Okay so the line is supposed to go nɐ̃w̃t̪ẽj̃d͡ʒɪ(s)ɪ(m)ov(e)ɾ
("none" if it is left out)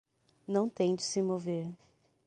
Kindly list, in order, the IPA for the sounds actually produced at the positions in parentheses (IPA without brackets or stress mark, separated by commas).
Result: s, m, e